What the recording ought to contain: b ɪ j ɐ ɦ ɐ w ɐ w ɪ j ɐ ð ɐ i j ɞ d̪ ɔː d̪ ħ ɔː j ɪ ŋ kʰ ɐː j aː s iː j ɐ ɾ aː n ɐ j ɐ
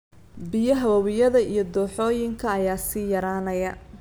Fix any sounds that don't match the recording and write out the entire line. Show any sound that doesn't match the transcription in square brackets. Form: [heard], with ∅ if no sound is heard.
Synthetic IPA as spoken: b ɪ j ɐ ɦ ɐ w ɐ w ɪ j ɐ ð ɐ i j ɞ d̪ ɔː [∅] ħ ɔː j ɪ ŋ kʰ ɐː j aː s iː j ɐ ɾ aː n ɐ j ɐ